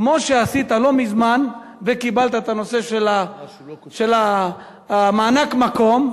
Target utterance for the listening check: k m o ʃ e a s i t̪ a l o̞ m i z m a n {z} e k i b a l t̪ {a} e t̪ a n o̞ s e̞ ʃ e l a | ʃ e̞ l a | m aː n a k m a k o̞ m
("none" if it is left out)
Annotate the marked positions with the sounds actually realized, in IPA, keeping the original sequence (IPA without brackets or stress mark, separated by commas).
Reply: v, a